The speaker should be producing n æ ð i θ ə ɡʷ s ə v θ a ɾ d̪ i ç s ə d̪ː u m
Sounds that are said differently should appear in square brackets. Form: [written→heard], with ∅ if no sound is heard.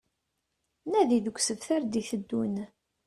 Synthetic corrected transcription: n æ ð i [θ→ð] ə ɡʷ s ə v θ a ɾ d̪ i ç [s→θ] ə d̪ː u [m→n]